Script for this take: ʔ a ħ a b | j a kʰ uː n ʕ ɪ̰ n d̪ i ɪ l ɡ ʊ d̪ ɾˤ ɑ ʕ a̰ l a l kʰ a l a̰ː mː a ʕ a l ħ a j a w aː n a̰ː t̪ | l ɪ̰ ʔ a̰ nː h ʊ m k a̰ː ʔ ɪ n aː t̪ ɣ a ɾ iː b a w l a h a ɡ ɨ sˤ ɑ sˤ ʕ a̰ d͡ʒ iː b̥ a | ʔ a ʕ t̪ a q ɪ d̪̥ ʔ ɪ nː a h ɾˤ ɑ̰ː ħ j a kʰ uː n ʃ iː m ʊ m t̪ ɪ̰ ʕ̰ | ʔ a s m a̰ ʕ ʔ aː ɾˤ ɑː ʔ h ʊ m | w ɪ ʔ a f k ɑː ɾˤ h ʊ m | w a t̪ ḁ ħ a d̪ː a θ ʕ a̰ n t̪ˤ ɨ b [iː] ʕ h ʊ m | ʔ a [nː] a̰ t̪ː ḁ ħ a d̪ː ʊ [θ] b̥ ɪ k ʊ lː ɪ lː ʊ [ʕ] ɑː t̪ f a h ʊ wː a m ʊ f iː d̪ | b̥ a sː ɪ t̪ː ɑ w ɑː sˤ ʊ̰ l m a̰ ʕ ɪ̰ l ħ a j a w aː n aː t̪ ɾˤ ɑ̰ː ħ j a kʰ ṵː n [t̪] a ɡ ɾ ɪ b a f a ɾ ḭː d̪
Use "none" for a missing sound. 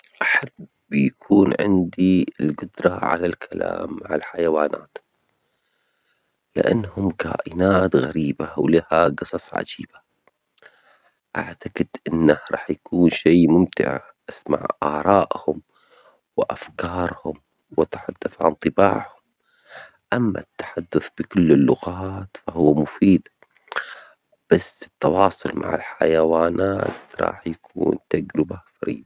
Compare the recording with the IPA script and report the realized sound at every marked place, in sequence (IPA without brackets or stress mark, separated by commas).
aː, mː, θ, ɣ, t̪